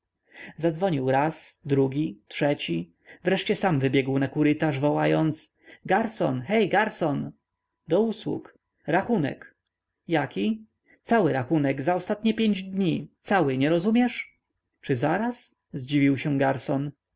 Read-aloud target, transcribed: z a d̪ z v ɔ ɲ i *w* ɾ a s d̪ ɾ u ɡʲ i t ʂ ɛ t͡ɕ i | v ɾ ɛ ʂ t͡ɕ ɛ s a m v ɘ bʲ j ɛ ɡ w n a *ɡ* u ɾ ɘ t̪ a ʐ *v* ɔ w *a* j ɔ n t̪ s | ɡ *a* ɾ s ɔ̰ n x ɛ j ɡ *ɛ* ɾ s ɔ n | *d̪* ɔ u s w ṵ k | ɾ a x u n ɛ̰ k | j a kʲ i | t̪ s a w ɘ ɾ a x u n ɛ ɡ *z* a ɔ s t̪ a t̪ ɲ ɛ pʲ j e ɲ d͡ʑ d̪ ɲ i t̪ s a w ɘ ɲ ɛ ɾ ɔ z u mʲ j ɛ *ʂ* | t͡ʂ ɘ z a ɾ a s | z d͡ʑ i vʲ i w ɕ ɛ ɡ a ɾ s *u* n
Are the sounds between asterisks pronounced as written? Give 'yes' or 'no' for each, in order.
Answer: yes, no, yes, yes, yes, no, yes, yes, yes, no

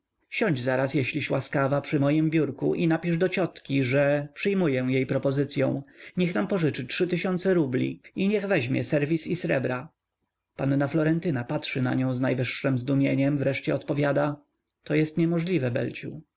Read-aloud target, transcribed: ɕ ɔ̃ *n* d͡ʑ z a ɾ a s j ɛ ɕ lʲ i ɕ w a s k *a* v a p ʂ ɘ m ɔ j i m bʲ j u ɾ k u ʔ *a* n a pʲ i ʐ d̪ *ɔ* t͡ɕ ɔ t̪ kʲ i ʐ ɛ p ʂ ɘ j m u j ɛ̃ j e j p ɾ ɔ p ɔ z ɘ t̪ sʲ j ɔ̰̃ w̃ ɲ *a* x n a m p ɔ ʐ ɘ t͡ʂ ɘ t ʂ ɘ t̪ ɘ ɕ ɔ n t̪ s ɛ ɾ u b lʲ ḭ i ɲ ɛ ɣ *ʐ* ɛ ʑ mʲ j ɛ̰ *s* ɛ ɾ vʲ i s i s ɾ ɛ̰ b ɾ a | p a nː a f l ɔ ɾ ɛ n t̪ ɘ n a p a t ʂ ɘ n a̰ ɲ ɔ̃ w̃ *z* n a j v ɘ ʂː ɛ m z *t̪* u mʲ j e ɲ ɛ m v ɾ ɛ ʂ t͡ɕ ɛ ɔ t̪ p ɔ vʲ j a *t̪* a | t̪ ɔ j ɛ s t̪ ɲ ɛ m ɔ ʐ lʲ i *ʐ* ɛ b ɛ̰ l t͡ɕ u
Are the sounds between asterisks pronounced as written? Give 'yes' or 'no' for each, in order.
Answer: no, yes, no, yes, no, no, yes, yes, no, no, no

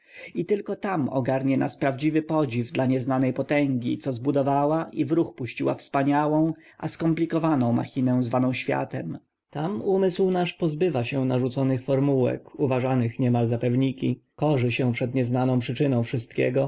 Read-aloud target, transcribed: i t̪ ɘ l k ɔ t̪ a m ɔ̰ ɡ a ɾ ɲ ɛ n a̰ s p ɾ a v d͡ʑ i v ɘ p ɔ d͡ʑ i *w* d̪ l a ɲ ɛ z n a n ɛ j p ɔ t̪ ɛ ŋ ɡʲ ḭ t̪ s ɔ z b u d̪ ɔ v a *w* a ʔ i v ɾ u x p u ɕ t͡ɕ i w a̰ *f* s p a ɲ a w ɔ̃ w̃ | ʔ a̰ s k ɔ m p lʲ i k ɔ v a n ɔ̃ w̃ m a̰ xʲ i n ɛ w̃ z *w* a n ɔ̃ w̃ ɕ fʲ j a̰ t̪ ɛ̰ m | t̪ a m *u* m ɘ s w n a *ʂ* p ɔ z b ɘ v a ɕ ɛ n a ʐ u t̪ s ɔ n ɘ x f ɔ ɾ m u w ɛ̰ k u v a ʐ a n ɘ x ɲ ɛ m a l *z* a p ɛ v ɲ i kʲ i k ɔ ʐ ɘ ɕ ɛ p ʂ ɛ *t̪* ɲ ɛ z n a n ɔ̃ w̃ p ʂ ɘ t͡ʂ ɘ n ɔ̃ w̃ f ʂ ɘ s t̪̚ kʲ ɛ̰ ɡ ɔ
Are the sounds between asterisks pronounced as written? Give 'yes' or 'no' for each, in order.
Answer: no, yes, yes, no, yes, yes, yes, no

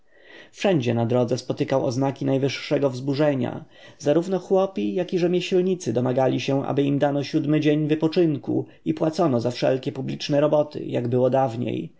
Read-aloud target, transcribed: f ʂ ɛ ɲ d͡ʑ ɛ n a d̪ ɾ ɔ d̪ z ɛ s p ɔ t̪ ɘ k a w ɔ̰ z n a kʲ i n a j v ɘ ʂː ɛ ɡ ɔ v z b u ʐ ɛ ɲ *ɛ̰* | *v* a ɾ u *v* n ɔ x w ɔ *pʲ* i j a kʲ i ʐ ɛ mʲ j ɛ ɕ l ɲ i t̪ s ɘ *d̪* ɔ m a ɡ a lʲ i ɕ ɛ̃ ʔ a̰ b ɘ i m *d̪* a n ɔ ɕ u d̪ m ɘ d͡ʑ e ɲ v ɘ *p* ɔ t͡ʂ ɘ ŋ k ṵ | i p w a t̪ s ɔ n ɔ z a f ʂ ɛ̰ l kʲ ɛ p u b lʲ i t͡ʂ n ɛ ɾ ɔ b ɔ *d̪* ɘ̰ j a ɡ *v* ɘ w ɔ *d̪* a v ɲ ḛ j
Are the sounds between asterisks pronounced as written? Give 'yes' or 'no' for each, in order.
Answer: no, no, yes, yes, yes, yes, yes, no, no, yes

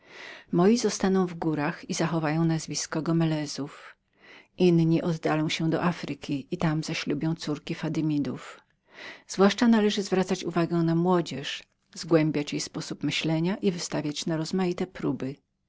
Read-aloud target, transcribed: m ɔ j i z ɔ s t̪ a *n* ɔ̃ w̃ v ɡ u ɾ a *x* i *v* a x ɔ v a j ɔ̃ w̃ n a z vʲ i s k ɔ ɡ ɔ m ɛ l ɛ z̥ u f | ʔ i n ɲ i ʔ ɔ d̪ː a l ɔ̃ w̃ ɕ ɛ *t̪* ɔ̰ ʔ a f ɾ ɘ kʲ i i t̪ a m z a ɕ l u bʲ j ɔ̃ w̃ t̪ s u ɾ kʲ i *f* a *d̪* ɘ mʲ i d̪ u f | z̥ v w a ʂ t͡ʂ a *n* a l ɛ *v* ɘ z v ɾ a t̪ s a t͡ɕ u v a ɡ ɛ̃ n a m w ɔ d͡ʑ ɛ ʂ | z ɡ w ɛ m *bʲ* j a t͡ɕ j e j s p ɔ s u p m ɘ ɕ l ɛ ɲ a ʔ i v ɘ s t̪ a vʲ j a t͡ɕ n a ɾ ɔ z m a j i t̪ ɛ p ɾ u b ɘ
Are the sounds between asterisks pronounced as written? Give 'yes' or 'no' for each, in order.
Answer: yes, yes, no, no, yes, yes, yes, no, yes

